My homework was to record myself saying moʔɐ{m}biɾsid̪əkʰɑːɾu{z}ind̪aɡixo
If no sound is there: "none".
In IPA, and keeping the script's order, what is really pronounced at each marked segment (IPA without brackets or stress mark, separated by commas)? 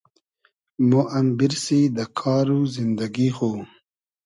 m, z